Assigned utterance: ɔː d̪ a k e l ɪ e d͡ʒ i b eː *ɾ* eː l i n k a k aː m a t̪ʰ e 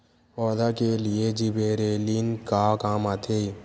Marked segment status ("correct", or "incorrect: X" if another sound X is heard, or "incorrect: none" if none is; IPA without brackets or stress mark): correct